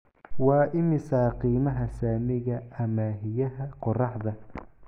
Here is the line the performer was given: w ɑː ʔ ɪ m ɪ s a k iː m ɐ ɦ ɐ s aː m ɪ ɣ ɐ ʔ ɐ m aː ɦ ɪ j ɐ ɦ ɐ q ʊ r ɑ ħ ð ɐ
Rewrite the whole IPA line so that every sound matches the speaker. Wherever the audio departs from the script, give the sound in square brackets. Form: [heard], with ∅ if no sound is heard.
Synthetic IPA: w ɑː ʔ ɪ m ɪ s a [q] iː m ɐ ɦ ɐ s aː m ɪ ɣ ɐ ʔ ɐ m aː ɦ ɪ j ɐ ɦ ɐ q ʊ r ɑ ħ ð ɐ